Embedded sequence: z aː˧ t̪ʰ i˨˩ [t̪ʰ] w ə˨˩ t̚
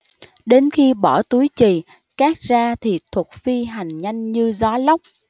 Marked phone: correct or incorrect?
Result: correct